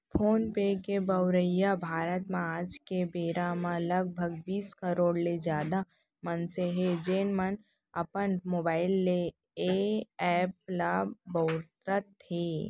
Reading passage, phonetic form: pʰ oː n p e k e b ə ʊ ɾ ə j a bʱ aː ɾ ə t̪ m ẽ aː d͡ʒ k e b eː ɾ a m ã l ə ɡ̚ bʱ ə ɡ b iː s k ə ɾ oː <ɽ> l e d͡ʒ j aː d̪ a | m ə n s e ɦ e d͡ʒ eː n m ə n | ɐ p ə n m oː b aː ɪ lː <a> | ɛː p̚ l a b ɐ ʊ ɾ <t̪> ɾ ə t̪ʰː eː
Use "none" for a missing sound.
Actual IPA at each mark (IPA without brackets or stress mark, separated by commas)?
ɽ, e, t̪